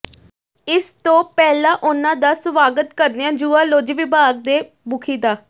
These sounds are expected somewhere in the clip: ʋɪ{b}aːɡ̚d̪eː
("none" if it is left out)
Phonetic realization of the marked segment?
b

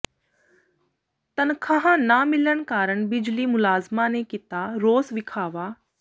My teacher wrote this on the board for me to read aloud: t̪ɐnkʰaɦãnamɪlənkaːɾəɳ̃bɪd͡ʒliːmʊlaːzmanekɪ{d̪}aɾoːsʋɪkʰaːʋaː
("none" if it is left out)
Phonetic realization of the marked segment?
t̪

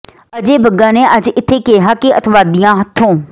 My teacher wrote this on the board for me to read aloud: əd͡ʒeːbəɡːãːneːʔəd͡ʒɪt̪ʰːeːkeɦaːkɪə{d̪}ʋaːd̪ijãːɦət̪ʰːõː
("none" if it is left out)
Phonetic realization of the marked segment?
t̪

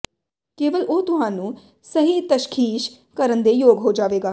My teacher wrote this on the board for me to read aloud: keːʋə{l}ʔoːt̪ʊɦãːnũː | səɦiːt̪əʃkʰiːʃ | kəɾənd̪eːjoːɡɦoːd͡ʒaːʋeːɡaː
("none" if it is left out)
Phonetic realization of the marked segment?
l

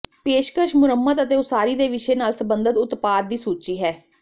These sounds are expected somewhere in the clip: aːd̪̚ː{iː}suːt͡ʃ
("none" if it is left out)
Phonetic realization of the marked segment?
iː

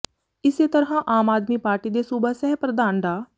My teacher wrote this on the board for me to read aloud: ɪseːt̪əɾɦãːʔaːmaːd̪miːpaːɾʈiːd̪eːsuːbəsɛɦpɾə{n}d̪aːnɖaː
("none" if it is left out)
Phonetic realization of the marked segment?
none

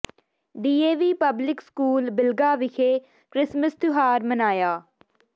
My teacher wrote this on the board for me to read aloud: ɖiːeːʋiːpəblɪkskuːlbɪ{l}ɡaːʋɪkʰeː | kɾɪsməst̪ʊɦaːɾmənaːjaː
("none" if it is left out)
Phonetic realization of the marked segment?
l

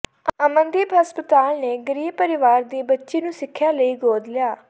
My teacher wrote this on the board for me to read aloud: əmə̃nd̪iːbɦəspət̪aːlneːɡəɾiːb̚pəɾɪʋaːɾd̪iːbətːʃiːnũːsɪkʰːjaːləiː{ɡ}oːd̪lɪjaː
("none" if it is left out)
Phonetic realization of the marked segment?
ɡ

